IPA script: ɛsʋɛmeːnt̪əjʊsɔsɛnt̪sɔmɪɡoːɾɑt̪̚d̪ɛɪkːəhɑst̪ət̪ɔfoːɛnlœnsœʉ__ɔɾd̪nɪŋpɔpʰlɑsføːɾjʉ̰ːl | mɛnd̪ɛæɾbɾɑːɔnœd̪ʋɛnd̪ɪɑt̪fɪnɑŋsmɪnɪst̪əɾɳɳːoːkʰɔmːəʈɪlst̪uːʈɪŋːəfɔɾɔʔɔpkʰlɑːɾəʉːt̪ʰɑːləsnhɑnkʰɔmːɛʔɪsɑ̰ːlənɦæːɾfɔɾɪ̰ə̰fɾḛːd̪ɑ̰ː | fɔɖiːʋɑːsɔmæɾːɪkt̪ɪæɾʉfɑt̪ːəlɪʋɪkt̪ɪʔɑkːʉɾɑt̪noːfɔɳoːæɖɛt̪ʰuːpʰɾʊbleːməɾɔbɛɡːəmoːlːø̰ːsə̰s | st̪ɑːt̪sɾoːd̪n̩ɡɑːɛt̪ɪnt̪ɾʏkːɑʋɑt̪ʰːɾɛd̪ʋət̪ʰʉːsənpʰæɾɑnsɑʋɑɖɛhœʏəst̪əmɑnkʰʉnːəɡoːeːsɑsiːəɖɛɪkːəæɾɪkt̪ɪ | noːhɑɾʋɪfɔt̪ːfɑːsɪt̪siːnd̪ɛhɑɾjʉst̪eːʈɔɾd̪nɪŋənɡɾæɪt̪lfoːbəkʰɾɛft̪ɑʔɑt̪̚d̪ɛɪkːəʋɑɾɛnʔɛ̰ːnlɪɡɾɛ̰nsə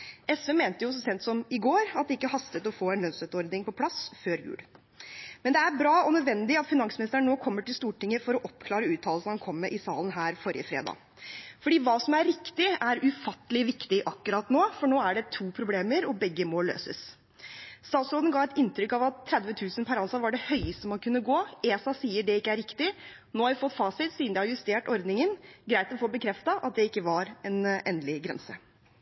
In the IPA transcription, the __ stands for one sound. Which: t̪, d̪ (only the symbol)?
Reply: t̪